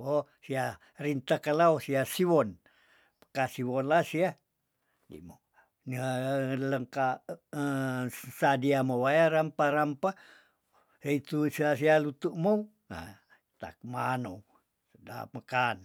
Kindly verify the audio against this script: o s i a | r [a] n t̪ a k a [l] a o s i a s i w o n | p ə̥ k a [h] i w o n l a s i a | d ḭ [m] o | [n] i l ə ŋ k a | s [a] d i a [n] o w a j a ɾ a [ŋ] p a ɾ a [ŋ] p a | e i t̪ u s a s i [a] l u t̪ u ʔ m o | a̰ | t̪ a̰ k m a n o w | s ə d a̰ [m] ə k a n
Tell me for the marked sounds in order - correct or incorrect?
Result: incorrect: i, correct, incorrect: s, correct, correct, correct, incorrect: m, incorrect: m, incorrect: m, correct, correct

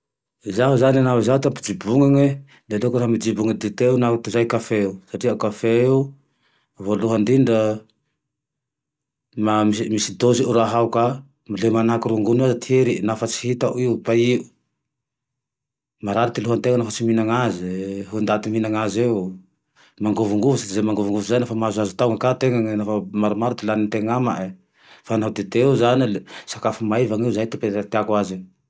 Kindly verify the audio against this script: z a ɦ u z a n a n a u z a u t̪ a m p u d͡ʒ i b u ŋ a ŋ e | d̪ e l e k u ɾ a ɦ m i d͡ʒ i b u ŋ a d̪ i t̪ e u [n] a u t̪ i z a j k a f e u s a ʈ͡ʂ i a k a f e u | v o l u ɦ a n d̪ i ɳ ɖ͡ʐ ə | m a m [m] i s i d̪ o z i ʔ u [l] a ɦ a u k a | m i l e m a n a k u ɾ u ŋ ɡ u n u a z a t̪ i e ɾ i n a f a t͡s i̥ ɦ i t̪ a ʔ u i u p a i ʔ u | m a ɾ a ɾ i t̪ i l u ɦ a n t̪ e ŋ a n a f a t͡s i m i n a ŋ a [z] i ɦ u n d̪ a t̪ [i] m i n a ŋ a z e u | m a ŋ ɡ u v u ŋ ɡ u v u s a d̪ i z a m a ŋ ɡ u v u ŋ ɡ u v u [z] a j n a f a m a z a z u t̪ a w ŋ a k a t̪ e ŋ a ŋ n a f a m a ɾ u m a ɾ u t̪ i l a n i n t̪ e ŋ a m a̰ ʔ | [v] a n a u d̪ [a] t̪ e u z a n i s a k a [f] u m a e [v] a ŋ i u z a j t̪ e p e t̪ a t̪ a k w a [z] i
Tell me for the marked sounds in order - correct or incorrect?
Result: correct, correct, incorrect: ɾ, correct, correct, correct, incorrect: f, incorrect: e, correct, correct, correct

